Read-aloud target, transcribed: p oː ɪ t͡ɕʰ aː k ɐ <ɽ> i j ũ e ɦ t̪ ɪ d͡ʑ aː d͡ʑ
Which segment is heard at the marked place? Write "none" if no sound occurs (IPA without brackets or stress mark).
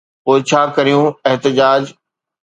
ɾ